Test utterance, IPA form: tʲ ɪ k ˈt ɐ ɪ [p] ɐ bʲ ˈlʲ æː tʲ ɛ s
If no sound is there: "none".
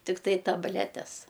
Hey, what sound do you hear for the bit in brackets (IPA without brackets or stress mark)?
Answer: t